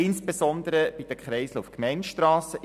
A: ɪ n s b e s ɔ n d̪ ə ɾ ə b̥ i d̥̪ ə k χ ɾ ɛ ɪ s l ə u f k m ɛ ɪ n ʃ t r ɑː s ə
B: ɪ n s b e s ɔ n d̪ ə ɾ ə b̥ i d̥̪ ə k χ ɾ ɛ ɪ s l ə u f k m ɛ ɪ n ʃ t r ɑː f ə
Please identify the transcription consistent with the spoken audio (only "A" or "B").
A